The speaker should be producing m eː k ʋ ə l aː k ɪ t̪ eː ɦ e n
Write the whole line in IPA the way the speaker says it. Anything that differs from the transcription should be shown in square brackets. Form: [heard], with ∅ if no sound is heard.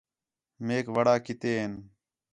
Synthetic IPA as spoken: m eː k ʋ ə [ɽ] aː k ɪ t̪ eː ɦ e n